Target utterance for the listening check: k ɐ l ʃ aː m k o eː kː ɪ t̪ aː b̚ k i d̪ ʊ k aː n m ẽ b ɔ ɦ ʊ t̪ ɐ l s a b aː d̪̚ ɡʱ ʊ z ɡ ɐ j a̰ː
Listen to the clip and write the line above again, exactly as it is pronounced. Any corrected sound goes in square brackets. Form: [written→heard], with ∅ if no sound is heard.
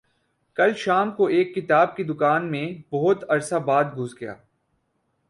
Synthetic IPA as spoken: k ɐ l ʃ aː m k o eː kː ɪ t̪ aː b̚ k i d̪ ʊ k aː n m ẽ b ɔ ɦ ʊ t̪ ɐ [l→ɾ] s a b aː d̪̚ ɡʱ ʊ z ɡ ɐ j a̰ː